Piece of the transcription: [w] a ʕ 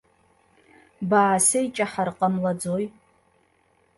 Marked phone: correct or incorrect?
incorrect